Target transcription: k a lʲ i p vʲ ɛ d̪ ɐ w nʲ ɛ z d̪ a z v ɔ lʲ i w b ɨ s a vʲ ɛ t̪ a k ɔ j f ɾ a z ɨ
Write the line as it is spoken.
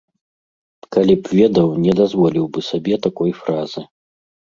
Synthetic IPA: k a lʲ i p vʲ ɛ d̪ ɐ w nʲ ɛ d̪ a z v ɔ lʲ i w b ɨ s a bʲ ɛ t̪ a k ɔ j f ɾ a z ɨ

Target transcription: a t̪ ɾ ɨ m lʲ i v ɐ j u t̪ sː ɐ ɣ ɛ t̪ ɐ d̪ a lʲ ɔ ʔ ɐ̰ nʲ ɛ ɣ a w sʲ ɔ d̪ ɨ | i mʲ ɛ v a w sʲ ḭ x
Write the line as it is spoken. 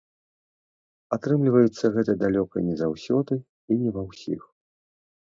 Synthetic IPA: a t̪ ɾ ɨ m lʲ i v ɐ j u t̪ sː ɐ ɣ ɛ t̪ ɐ d̪ a lʲ ɔ k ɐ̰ nʲ ɛ z a w sʲ ɔ d̪ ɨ | i nʲ ɛ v a w sʲ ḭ x

